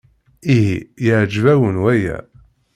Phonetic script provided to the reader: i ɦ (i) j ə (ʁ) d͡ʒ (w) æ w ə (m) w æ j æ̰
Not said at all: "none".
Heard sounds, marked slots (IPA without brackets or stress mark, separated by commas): i, ʕ, v, n